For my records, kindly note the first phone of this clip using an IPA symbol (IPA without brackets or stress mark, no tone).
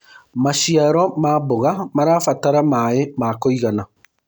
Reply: m